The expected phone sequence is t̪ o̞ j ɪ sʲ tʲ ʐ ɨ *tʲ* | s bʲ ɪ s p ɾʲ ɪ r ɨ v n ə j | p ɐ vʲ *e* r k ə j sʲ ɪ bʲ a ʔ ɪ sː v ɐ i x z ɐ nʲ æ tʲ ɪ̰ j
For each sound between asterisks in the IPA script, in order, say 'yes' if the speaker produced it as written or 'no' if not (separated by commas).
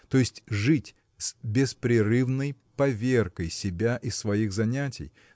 yes, yes